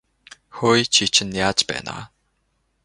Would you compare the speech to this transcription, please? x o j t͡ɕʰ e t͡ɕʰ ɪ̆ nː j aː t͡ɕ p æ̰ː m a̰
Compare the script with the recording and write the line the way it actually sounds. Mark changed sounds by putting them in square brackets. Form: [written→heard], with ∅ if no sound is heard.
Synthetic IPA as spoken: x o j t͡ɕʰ [e→i] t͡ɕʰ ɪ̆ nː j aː t͡ɕ p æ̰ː [m→n] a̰

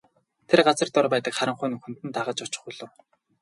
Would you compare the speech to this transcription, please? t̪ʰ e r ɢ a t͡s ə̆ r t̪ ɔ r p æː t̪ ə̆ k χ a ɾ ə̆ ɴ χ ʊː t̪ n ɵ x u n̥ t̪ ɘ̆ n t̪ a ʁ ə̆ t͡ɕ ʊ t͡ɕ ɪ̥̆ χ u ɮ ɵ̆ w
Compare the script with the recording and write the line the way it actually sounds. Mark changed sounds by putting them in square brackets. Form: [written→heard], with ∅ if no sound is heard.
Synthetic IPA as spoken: t̪ʰ e r ɢ a t͡s ə̆ r t̪ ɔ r p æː t̪ ə̆ k χ a ɾ ə̆ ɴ χ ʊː [t̪→∅] n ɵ x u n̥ t̪ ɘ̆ n t̪ a ʁ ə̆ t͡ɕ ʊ t͡ɕ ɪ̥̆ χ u ɮ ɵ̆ w

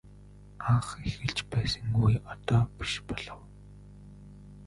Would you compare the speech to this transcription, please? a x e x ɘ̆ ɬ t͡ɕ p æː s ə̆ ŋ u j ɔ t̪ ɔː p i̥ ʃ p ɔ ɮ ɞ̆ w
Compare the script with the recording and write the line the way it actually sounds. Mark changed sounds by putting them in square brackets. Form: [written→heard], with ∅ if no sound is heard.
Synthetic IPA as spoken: a [x→χ] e x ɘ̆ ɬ t͡ɕ p æː s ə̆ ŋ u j ɔ t̪ ɔː p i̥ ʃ p ɔ ɮ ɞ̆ w

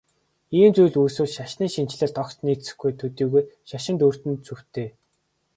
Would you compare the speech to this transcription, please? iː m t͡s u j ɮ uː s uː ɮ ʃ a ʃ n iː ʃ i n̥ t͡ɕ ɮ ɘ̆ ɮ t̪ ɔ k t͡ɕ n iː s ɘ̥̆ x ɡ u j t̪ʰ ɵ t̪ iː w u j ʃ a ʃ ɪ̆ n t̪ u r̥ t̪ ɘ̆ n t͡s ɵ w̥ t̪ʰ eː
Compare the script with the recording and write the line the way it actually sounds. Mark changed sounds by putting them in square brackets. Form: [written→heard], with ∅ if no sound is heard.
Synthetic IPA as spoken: iː m t͡s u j ɮ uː s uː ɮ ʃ a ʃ n iː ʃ i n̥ t͡ɕ ɮ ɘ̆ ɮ t̪ ɔ k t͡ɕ n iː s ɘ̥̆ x ɡ u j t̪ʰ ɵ t̪ iː [w→ɣ] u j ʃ a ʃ ɪ̆ n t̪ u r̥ t̪ ɘ̆ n t͡s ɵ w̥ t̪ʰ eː

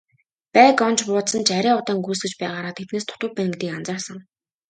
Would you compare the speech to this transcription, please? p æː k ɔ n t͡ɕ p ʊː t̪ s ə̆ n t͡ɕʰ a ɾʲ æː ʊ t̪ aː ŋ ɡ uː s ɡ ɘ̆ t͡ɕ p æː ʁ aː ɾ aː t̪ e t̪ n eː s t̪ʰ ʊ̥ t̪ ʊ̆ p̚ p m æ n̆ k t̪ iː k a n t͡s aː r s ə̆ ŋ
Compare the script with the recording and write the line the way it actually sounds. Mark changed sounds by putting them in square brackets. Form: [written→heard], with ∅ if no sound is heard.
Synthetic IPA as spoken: p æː k ɔ n t͡ɕ p ʊː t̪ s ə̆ n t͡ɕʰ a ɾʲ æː ʊ t̪ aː ŋ ɡ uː s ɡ ɘ̆ t͡ɕ p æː ʁ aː ɾ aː [t̪→t̪ʰ] e t̪ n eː s t̪ʰ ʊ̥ t̪ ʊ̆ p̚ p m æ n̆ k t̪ iː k a n t͡s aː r s ə̆ ŋ

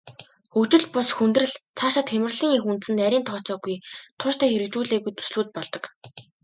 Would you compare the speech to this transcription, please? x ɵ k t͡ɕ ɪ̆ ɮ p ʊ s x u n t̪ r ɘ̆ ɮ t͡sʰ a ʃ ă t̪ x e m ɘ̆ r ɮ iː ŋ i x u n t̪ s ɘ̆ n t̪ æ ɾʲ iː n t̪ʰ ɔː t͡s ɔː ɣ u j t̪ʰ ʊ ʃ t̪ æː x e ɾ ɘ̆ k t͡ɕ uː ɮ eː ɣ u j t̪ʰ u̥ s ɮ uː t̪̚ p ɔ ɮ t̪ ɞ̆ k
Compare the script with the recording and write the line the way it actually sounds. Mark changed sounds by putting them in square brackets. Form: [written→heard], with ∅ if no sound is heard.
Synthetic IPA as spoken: x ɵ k t͡ɕ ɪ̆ ɮ p ʊ s x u n t̪ r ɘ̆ ɮ t͡sʰ a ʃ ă t̪ x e m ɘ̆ r ɮ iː ŋ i x u n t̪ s ɘ̆ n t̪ æ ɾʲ iː n t̪ʰ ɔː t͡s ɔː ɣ u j t̪ʰ ʊ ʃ t̪ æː x e ɾ ɘ̆ k t͡ɕ uː ɮ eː ɣ u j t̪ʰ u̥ s ɮ uː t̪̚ p ɔ ɮ t̪ ɞ̆ k

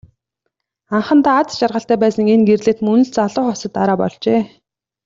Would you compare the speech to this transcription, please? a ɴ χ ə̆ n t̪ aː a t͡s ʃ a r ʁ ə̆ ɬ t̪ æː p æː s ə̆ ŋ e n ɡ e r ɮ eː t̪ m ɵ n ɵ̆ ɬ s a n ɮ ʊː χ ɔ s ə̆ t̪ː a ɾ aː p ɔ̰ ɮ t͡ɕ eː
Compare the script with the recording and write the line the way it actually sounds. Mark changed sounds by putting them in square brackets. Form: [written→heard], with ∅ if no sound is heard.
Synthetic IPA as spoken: a ɴ χ ə̆ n t̪ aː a t͡s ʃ a r ʁ ə̆ ɬ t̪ æː p æː s ə̆ ŋ e n ɡ e r ɮ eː t̪ m ɵ n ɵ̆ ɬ [s→t͡s] a [n→∅] ɮ ʊː χ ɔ s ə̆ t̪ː a ɾ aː p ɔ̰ ɮ t͡ɕ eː

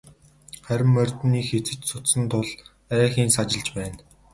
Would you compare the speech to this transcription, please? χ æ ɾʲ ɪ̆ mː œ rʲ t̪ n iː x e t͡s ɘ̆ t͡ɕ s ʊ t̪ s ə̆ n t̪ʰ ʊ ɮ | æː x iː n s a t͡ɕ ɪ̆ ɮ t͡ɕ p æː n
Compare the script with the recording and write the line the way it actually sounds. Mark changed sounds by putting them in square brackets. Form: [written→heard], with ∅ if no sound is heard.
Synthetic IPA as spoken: χ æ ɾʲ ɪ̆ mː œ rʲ t̪ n iː x e t͡s ɘ̆ t͡ɕ s ʊ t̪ s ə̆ n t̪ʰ ʊ ɮ | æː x iː n s a t͡ɕ ɪ̆ ɮ t͡ɕ p æː n

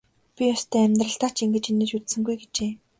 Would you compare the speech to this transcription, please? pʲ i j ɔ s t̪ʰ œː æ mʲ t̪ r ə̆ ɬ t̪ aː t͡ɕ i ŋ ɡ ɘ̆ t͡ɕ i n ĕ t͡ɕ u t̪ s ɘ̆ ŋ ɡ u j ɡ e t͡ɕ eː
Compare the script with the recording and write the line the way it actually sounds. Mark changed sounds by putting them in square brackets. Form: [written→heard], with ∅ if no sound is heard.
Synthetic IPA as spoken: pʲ i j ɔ s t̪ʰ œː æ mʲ t̪ r ə̆ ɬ t̪ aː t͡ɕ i ŋ ɡ ɘ̆ t͡ɕ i n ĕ t͡ɕ u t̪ s ɘ̆ ŋ ɡ u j ɡ e t͡ɕ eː

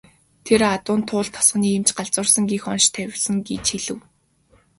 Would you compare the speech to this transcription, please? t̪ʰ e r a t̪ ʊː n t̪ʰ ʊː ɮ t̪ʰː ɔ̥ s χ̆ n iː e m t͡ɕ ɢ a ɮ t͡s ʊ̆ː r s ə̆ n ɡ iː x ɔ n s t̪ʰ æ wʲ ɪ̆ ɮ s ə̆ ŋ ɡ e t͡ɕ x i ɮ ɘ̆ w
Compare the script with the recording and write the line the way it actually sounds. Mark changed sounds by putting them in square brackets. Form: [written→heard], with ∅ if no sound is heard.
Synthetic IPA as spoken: t̪ʰ e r a t̪ ʊː n t̪ʰ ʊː ɮ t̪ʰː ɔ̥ s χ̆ n iː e m t͡ɕ ɢ a ɮ t͡s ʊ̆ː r s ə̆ [n→ŋ] ɡ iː x ɔ n [s→ʃ] t̪ʰ æ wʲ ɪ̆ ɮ s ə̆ ŋ ɡ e t͡ɕ x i ɮ ɘ̆ w

